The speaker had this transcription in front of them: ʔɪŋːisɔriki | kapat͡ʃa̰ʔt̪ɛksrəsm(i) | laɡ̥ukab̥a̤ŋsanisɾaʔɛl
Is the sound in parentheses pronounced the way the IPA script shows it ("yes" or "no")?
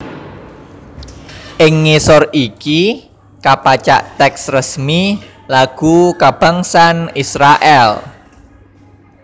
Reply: yes